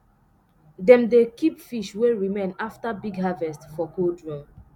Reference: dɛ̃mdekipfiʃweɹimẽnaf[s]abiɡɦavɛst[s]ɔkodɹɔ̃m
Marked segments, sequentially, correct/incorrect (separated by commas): incorrect, incorrect